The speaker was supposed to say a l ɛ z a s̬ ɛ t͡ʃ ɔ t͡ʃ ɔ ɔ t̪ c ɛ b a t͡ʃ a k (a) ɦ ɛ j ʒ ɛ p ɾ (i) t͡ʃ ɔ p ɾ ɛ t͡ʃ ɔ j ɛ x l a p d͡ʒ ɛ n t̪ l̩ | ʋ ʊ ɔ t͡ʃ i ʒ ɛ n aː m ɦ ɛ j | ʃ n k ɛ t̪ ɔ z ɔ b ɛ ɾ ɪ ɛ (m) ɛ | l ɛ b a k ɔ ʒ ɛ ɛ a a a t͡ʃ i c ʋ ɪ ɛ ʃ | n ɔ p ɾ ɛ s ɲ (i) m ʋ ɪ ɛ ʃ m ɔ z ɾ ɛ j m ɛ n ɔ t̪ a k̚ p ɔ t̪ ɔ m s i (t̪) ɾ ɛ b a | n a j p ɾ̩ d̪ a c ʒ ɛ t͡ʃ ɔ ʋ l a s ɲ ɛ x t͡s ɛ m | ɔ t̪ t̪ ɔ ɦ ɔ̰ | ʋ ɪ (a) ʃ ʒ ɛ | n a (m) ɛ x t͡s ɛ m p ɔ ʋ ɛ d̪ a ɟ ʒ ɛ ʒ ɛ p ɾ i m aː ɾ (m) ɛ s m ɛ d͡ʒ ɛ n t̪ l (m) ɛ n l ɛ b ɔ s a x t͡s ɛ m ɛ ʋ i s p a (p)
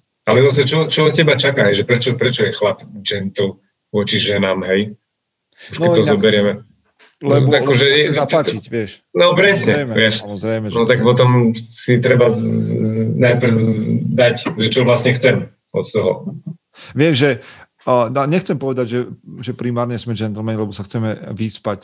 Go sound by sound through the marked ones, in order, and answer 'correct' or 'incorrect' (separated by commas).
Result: correct, incorrect, correct, incorrect, correct, incorrect, incorrect, incorrect, correct, incorrect